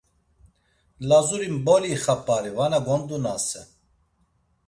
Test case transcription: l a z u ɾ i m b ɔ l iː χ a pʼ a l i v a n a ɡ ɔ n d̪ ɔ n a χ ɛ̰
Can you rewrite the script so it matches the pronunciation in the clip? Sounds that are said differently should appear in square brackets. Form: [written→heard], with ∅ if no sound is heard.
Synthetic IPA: l a z u ɾ i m b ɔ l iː χ a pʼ a [l→ɾ] i v a n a ɡ ɔ n d̪ [ɔ→u] n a [χ→s] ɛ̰